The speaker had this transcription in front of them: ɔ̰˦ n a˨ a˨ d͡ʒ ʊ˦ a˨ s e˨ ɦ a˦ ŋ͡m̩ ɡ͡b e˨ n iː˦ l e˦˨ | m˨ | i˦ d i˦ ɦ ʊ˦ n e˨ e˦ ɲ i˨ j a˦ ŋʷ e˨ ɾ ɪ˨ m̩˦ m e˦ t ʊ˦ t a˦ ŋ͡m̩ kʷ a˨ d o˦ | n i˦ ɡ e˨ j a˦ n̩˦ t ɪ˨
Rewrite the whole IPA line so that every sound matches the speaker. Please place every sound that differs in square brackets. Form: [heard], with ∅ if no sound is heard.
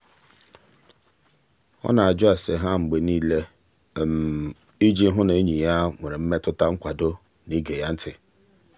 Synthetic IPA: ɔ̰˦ n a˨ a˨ d͡ʒ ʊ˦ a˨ s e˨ ɦ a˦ ŋ͡m̩ ɡ͡b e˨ n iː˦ l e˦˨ | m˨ | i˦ [d͡ʒ] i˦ ɦ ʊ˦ n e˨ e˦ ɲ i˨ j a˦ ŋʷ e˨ ɾ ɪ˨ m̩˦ m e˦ t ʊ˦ t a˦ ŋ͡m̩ kʷ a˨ d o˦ | n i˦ ɡ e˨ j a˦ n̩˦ t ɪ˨